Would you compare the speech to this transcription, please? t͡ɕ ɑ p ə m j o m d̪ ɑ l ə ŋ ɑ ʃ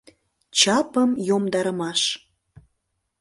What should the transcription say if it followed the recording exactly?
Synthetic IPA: t͡ɕ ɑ p ə m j o m d̪ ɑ ɾ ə m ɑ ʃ